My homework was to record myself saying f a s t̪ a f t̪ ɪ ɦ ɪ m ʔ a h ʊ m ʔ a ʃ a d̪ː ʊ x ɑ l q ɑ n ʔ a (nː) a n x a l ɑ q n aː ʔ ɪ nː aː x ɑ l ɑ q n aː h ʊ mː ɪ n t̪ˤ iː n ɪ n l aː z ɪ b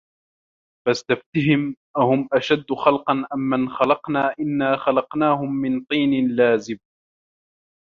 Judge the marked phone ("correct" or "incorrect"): incorrect